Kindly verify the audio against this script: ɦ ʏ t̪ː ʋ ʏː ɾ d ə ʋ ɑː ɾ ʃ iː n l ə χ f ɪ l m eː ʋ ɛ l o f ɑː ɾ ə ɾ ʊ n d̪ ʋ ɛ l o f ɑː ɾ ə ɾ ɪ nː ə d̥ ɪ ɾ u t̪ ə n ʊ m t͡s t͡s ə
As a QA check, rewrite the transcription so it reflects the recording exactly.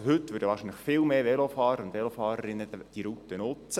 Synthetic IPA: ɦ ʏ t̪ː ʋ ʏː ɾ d ə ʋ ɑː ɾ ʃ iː n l ə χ f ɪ l m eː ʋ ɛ l o f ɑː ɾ ə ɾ ʊ n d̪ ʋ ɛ l o f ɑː ɾ ə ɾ ɪ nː ə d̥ i ɾ u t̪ ə n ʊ t͡s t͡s ə